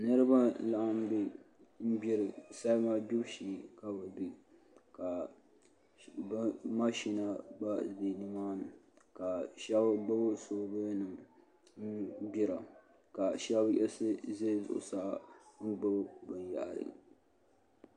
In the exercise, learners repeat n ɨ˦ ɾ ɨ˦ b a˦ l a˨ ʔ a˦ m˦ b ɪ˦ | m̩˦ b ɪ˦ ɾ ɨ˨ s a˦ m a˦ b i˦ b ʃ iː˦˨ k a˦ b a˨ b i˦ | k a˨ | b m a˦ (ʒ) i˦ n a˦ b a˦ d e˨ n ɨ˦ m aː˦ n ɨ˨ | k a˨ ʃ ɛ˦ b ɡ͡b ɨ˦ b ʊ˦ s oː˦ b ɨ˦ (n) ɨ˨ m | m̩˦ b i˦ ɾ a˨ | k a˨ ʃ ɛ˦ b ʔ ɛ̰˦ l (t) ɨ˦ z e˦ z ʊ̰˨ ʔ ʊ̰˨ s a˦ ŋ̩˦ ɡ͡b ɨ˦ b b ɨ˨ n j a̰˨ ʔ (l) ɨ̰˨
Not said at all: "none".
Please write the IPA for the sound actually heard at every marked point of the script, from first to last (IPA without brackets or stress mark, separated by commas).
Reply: ʃ, n, s, ɾ